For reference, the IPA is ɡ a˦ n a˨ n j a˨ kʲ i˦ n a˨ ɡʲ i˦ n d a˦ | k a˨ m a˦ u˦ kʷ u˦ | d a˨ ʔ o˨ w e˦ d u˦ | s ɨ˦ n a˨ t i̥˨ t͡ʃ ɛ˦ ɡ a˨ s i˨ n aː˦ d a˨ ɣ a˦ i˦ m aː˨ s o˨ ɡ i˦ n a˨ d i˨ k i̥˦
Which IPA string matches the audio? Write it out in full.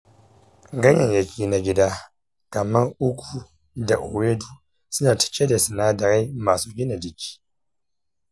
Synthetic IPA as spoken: ɡ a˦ ɲ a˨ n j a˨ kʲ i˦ n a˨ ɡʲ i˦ d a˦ | k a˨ m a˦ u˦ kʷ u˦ | d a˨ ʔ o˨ w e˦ d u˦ | s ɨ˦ n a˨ t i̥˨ t͡ʃ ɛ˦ d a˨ s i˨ n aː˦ d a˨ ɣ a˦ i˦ m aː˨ s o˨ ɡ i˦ n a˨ d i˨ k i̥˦

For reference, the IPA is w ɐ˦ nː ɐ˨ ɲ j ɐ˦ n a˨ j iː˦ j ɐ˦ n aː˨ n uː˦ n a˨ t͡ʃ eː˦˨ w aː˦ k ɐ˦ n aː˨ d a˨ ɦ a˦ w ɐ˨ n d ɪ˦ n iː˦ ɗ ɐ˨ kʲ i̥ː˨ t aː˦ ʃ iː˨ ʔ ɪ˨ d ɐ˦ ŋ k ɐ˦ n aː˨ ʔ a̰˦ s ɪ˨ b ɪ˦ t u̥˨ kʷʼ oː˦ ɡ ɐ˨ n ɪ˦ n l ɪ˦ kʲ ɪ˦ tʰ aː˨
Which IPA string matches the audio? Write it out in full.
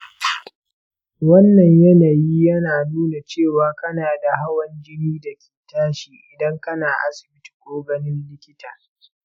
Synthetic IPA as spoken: w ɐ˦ nː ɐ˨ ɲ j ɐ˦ n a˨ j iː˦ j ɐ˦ n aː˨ n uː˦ n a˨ t͡ʃ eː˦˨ w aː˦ k ɐ˦ n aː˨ d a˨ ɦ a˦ w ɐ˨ n d͡ʒ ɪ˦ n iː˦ d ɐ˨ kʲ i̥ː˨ t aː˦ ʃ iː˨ ʔ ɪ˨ d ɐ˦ ŋ k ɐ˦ n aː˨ ʔ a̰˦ s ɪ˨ b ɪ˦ t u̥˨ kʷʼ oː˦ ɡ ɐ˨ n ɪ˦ n l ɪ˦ kʲ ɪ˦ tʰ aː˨

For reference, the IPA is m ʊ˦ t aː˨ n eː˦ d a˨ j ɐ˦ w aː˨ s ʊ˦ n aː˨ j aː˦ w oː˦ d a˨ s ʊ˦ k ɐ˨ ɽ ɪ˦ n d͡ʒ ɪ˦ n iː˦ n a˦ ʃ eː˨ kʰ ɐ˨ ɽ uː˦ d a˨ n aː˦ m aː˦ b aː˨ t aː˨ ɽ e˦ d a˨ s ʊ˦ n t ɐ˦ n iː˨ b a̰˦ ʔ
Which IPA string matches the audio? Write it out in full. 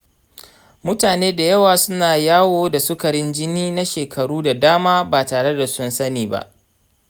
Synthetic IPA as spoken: m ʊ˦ t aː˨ n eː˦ d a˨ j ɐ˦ w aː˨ s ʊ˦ n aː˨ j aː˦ w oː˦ d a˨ s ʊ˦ k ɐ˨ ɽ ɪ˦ n d͡ʒ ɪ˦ n iː˦ n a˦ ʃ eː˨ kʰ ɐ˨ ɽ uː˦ d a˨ d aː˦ m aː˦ b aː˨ t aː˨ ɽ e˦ d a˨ s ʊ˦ n s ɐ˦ n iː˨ b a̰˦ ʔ

